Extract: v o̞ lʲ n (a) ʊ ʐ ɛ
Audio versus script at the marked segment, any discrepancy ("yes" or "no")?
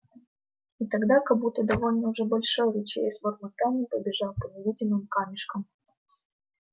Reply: yes